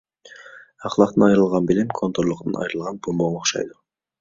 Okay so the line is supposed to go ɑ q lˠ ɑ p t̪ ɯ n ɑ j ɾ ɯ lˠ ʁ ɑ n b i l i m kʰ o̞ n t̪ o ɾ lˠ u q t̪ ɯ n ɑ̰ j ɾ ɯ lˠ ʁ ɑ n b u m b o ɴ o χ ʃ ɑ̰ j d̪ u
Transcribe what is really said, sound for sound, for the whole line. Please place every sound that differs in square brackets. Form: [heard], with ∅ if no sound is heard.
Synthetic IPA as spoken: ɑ q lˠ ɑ [q] t̪ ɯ n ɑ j ɾ ɯ lˠ ʁ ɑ n b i l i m kʰ o̞ n t̪ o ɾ lˠ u q t̪ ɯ n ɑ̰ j ɾ ɯ lˠ ʁ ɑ n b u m b o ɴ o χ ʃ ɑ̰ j d̪ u